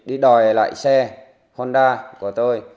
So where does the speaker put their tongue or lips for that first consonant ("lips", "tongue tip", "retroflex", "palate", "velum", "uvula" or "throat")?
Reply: tongue tip